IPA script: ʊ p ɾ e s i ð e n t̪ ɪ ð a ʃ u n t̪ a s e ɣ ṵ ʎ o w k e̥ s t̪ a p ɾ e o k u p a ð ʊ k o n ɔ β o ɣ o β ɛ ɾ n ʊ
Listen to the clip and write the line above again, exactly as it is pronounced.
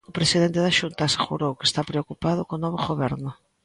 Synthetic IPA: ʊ p ɾ e s i ð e n t̪ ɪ ð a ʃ u n t̪ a s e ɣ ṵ ɾ o w k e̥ s t̪ a p ɾ e o k u p a ð ʊ k o n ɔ β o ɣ o β ɛ ɾ n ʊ